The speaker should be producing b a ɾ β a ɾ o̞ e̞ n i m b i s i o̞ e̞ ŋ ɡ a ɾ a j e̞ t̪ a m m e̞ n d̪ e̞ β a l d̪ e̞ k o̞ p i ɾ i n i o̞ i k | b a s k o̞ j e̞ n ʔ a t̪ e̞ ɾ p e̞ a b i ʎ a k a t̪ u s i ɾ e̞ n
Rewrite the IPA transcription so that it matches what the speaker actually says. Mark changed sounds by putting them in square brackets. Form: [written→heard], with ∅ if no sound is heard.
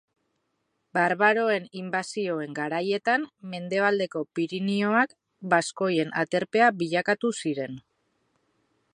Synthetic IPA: b a ɾ β a ɾ o̞ e̞ n i m b [i→a] s i o̞ e̞ ŋ ɡ a ɾ a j e̞ t̪ a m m e̞ n d̪ e̞ β a l d̪ e̞ k o̞ p i ɾ i n i o̞ [i→a] k | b a s k o̞ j e̞ n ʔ a t̪ e̞ ɾ p e̞ a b i ʎ a k a t̪ u s i ɾ e̞ n

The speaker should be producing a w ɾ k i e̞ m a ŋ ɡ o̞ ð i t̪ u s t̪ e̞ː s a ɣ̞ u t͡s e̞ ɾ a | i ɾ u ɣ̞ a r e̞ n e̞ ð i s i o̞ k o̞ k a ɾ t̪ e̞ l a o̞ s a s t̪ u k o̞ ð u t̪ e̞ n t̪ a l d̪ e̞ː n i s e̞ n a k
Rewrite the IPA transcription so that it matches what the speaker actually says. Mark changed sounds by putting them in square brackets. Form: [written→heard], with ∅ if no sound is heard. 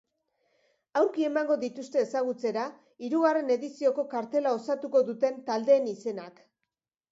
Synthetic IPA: a w ɾ k i e̞ m a ŋ ɡ o̞ ð i t̪ u s t̪ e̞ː s a ɣ̞ u t͡s e̞ ɾ a | i ɾ u ɣ̞ a r e̞ n e̞ ð i s i o̞ k o̞ k a ɾ t̪ e̞ l a o̞ s a [s→∅] t̪ u k o̞ ð u t̪ e̞ n t̪ a l d̪ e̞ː n i s e̞ n a k

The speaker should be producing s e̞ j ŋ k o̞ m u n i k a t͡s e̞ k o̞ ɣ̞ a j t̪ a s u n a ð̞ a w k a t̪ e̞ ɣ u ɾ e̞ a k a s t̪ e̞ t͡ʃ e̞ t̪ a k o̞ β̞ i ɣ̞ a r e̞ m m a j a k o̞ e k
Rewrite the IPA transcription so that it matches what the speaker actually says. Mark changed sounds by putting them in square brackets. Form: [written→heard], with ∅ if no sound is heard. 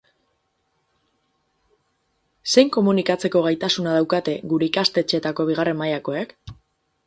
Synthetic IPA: s e̞ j ŋ k o̞ m u n i k a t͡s e̞ k o̞ ɣ̞ a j t̪ a s u n a ð̞ a w k a t̪ e̞ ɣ u ɾ e̞ [a→i] k a s t̪ e̞ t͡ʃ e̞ t̪ a k o̞ β̞ i ɣ̞ a r e̞ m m a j a k o̞ e k

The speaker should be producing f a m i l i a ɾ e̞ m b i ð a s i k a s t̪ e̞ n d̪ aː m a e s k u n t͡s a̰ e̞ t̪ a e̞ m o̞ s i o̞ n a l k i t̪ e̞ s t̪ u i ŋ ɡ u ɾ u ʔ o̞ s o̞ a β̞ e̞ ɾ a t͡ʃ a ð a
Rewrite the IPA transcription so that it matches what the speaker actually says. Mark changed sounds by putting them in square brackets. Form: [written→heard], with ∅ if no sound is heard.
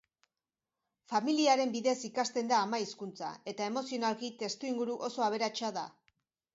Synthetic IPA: f a m i l i a ɾ e̞ m b i ð [a→e] s i k a s t̪ e̞ n d̪ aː m a [e→i] s k u n t͡s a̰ e̞ t̪ a e̞ m o̞ s i o̞ n a l k i t̪ e̞ s t̪ u i ŋ ɡ u ɾ u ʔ o̞ s o̞ a β̞ e̞ ɾ a t͡ʃ a ð a

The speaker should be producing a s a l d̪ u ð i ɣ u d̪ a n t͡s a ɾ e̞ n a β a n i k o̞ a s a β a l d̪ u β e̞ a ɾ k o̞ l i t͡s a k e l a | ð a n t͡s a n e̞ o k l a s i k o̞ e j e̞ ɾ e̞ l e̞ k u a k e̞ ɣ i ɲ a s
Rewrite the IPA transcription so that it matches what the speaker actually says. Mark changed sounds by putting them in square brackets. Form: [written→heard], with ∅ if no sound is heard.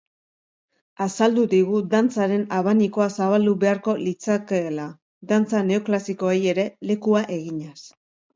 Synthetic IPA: a s a l d̪ u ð i ɣ u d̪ a n t͡s a ɾ e̞ n a β a n i k o̞ a s a β a l d̪ u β e̞ a ɾ k o̞ l i t͡s a k e l a | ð a n t͡s a n e̞ o k l a s i k o̞ e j e̞ ɾ e̞ l e̞ k u a [k→ʔ] e̞ ɣ i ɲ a s

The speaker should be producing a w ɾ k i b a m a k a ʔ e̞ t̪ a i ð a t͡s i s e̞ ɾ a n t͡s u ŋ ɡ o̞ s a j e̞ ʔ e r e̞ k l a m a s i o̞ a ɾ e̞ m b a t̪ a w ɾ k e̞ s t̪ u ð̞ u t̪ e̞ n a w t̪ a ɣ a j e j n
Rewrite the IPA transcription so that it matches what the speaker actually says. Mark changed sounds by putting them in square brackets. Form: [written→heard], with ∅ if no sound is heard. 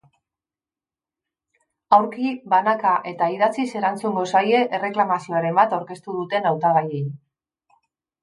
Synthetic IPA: a w ɾ k i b a [m→n] a k a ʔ e̞ t̪ a i ð a t͡s i s e̞ ɾ a n t͡s u ŋ ɡ o̞ s a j e̞ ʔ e r e̞ k l a m a s i o̞ a ɾ e̞ m b a t̪ a w ɾ k e̞ s t̪ u ð̞ u t̪ e̞ n a w t̪ a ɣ a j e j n

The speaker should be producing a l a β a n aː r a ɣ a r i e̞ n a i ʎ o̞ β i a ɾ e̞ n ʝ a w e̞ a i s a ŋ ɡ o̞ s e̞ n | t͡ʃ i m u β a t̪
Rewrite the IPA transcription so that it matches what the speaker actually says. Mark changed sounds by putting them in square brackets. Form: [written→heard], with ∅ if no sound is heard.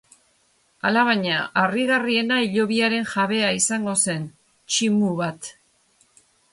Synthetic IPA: a l a β a [n→ɲ] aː r [a→i] ɣ a r i e̞ n a i ʎ o̞ β i a ɾ e̞ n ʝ a [w→β] e̞ a i s a ŋ ɡ o̞ s e̞ n | t͡ʃ i m u β a t̪

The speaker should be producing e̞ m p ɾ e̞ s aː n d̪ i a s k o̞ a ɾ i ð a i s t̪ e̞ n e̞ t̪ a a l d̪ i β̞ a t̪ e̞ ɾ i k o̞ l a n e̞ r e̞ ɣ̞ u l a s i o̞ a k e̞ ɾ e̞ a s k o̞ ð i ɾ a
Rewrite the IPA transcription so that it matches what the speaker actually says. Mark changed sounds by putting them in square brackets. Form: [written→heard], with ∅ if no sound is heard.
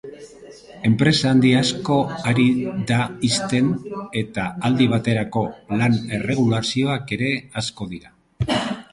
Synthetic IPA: e̞ m p ɾ e̞ s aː n d̪ i a s k o̞ a ɾ i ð a i s t̪ e̞ n e̞ t̪ a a l d̪ i β̞ a t̪ e̞ ɾ [i→a] k o̞ l a n e̞ r e̞ ɣ̞ u l a s i o̞ a k e̞ ɾ e̞ a s k o̞ ð i ɾ a

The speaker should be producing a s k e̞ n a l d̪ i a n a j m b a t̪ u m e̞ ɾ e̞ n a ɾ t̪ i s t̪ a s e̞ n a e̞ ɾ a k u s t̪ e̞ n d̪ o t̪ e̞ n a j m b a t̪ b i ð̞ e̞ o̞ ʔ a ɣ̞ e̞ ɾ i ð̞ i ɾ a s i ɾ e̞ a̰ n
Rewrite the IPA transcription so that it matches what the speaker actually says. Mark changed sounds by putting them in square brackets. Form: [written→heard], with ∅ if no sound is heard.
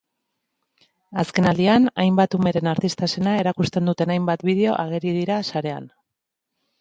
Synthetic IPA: a s k e̞ n a l d̪ i a n a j m b a t̪ u m e̞ ɾ e̞ n a ɾ t̪ i s t̪ a s e̞ n a e̞ ɾ a k u s t̪ e̞ n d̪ [o→u] t̪ e̞ n a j m b a t̪ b i ð̞ e̞ o̞ ʔ a ɣ̞ e̞ ɾ i ð̞ i ɾ a s [i→a] ɾ e̞ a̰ n

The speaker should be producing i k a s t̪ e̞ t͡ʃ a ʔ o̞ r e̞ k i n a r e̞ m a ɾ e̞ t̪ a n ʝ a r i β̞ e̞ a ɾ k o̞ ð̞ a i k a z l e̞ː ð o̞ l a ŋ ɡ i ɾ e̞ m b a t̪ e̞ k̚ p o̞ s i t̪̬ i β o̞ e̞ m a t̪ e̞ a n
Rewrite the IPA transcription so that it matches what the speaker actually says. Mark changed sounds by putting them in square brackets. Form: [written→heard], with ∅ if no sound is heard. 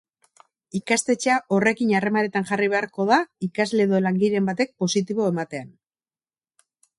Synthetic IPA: i k a s t̪ e̞ t͡ʃ a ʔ o̞ r e̞ k i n a r e̞ m a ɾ e̞ t̪ a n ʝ a r i β̞ e̞ a ɾ k o̞ ð̞ a i k a z l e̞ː ð o̞ l a ŋ ɡ i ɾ e̞ m b a t̪ e̞ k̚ p o̞ s i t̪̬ i β o̞ e̞ m a t̪ e̞ a n

